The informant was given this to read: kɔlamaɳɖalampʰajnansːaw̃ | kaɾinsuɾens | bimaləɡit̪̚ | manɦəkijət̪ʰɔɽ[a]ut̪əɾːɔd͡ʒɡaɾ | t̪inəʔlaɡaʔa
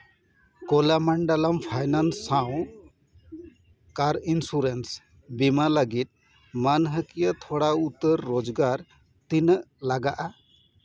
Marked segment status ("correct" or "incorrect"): correct